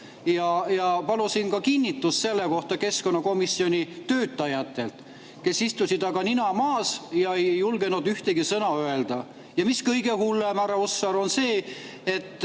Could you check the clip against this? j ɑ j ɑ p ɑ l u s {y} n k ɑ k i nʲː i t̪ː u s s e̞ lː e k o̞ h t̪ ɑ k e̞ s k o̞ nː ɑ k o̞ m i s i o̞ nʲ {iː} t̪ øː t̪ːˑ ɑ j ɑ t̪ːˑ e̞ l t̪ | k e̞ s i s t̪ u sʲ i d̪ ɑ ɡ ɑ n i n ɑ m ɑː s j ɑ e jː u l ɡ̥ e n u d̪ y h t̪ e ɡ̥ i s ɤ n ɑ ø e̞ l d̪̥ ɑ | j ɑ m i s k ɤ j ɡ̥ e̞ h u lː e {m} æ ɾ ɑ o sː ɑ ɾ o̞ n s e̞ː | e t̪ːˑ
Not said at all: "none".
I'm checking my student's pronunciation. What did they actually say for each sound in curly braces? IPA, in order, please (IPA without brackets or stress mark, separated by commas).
i, i, m